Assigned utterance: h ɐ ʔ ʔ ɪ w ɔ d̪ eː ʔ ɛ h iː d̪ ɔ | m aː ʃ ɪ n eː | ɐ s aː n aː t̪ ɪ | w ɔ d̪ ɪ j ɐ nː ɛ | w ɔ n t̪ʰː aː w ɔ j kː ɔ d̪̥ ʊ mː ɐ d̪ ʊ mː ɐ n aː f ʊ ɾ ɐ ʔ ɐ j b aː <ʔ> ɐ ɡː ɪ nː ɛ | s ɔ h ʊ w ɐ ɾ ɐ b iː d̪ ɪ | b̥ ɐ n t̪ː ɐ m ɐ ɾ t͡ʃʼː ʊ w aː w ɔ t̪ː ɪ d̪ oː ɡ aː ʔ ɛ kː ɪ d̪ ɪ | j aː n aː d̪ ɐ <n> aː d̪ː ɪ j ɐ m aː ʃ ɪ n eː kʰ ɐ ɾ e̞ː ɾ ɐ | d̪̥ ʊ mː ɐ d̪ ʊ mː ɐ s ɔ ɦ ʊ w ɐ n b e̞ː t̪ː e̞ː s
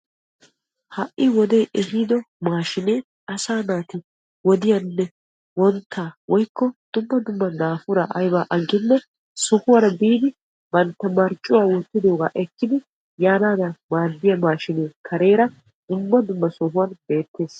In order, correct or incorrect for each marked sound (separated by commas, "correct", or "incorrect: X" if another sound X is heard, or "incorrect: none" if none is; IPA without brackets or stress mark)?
correct, incorrect: m